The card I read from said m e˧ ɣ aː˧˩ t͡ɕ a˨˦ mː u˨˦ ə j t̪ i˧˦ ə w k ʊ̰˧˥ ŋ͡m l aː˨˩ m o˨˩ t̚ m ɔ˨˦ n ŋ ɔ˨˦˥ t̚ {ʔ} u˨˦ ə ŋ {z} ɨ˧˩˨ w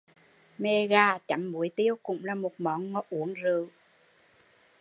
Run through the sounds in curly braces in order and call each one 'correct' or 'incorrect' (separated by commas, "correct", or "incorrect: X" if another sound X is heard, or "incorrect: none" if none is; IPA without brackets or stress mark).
correct, correct